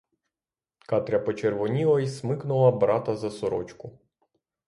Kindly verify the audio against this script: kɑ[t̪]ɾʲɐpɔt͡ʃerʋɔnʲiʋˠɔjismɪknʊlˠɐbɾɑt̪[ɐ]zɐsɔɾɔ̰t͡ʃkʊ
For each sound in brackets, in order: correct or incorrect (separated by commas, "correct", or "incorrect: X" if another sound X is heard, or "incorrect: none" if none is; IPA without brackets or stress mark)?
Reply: correct, correct